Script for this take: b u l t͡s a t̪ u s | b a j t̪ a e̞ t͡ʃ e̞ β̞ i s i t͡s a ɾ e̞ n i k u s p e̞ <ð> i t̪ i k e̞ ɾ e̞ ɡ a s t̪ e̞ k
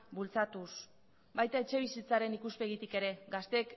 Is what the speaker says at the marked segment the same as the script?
no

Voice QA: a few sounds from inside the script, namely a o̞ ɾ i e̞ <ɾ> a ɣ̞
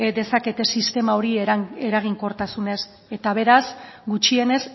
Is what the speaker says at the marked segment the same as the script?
yes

